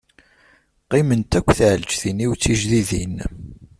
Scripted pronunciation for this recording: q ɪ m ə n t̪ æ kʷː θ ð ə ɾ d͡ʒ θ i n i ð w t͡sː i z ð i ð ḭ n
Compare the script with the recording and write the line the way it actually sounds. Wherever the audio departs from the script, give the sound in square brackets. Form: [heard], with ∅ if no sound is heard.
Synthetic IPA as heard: q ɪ m ə n t̪ æ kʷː θ [ʕ] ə [l] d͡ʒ θ i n i [∅] w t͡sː i [ʒ] ð i ð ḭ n